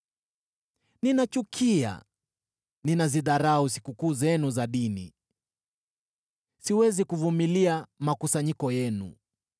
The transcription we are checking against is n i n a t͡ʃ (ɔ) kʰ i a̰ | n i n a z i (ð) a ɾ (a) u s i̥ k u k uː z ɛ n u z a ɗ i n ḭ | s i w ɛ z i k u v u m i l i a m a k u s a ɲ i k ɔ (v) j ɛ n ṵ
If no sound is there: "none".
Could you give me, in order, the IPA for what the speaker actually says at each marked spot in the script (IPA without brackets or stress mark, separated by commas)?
u, ð, a, none